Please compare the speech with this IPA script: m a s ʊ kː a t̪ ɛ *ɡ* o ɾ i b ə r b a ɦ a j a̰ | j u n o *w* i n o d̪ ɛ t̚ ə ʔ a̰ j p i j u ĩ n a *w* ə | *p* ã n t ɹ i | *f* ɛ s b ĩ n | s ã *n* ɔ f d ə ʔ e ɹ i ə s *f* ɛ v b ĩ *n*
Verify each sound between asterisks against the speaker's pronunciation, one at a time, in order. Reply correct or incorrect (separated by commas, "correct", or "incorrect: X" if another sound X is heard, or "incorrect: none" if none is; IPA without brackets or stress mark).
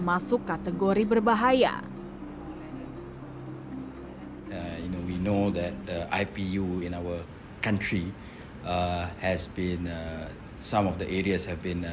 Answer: correct, correct, correct, incorrect: k, incorrect: h, incorrect: m, incorrect: h, correct